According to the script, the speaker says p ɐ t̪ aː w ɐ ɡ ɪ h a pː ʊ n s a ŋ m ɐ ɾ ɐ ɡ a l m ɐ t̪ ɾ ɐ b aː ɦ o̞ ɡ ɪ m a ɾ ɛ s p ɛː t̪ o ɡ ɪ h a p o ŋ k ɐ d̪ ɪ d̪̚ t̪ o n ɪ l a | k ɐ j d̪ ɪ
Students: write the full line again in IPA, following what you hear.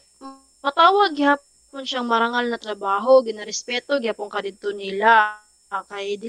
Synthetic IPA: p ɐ t̪ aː w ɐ ɡ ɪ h a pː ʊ n ʃ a ŋ m ɐ ɾ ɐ ŋ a l n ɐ t̪ ɾ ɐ b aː ɦ o̞ ɡ ɪ n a ɾ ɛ s p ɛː t̪ o ɡ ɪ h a p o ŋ k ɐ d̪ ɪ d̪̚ t̪ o n ɪ l a | k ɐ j d̪ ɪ